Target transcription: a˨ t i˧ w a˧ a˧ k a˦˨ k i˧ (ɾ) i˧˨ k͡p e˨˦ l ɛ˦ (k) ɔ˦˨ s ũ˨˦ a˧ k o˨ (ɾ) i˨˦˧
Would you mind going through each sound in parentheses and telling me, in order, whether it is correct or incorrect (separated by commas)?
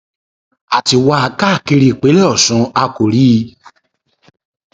correct, incorrect, correct